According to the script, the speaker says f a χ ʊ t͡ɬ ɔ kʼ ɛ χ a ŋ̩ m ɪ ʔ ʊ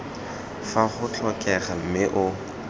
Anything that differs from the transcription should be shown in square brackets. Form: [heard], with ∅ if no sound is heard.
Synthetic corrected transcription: f a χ ʊ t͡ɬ ɔ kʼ ɛ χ a [m̩] m ɪ ʔ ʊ